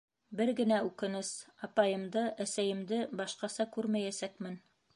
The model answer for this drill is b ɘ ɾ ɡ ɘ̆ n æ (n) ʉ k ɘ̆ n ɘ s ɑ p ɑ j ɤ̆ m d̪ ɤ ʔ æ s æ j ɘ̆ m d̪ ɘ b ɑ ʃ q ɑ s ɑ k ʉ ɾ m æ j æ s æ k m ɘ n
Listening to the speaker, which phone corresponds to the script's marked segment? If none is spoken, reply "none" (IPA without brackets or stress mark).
none